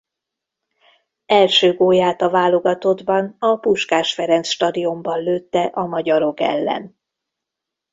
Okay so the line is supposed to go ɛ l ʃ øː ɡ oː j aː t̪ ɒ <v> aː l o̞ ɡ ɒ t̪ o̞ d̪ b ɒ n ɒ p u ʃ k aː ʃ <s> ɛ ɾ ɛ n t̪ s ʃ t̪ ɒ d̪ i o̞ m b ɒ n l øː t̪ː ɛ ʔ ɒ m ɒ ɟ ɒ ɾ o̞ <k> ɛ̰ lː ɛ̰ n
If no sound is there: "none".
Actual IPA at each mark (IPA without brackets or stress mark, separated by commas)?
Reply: v, f, k